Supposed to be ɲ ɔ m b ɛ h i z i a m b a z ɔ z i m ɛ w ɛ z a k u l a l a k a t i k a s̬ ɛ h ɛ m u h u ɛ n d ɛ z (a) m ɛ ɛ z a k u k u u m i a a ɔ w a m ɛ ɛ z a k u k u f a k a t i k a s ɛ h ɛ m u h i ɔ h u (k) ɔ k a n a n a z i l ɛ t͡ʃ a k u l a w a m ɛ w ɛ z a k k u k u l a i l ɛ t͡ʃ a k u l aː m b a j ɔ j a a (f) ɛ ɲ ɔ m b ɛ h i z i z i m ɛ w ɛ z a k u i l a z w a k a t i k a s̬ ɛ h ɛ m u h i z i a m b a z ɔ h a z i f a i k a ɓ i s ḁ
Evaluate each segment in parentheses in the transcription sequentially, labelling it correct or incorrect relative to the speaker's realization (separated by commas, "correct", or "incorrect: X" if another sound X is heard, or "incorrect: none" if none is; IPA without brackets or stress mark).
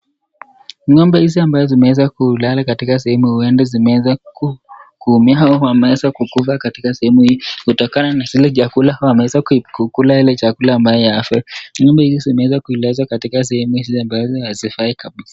incorrect: i, incorrect: t, correct